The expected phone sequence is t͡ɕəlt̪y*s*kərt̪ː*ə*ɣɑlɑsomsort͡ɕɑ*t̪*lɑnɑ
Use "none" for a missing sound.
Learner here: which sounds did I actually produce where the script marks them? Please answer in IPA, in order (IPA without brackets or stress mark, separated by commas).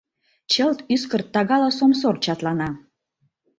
s, ɑ, t̪